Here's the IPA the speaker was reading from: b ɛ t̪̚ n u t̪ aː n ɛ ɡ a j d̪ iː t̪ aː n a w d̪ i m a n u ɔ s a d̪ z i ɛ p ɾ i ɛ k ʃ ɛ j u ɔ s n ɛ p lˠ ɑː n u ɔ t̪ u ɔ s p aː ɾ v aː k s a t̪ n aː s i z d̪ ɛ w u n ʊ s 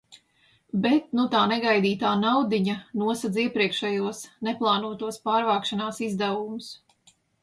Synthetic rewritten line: b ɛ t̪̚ n u t̪ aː n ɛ ɡ a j d̪ iː t̪ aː n a w d̪ i ɲ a n u ɔ s a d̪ z i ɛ p ɾ i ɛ k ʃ ɛ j u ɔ s n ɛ p lˠ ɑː n u ɔ t̪ u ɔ s p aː ɾ v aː k ʃ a n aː s i z d̪ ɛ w u m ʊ s